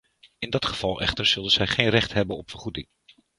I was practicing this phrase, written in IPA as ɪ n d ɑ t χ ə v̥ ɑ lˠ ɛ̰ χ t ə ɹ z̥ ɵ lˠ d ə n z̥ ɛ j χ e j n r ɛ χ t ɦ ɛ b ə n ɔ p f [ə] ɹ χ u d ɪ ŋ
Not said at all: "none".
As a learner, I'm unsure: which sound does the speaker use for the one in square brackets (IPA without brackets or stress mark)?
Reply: ə